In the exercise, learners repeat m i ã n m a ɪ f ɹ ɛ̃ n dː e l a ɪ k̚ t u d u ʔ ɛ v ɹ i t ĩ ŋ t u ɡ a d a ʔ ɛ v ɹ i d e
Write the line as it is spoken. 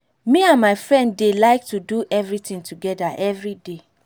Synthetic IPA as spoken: m i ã n m a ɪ f ɹ ɛ̃ n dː e l a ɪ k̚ t u d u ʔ ɛ v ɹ i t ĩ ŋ t u ɡ ɛ d a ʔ ɛ v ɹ i d e